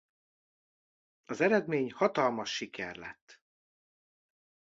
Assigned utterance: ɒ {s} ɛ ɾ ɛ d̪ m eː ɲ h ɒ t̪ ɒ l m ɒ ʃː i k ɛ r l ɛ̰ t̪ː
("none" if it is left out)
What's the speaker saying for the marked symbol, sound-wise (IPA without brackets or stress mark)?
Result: z